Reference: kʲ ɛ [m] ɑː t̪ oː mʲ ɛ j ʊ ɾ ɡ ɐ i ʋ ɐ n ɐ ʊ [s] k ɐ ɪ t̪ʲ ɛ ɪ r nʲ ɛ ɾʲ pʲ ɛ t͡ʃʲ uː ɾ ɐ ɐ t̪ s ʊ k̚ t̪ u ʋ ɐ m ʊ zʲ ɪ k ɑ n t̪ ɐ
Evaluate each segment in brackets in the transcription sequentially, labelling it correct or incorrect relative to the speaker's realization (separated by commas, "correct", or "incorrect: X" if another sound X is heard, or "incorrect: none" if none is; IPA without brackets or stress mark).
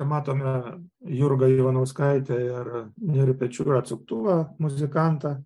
correct, correct